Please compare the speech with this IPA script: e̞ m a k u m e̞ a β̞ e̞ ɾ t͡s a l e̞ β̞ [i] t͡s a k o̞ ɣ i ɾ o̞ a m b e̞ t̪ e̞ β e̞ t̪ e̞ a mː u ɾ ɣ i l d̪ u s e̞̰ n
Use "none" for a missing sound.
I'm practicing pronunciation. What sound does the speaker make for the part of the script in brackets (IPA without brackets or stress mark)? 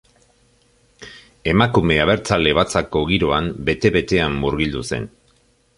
a